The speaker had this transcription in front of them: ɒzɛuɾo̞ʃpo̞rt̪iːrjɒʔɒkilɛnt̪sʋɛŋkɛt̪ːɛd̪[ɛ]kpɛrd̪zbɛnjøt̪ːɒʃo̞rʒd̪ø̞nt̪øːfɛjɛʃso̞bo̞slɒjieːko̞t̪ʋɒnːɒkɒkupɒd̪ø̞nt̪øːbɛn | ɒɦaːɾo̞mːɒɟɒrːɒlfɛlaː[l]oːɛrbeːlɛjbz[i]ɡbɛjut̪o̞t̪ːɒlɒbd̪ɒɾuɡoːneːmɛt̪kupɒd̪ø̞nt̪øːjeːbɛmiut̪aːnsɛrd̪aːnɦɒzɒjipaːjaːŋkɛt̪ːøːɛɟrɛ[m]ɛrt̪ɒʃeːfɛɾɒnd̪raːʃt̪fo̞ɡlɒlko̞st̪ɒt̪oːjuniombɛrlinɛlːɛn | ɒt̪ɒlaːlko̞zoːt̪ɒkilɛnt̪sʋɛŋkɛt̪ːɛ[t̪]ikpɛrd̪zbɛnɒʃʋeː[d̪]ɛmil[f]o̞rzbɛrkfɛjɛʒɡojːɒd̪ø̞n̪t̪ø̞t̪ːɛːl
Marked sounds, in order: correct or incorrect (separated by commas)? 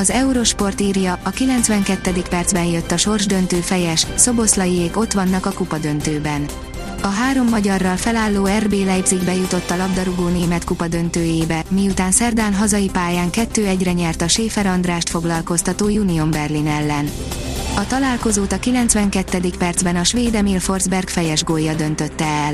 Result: incorrect, incorrect, correct, incorrect, incorrect, correct, correct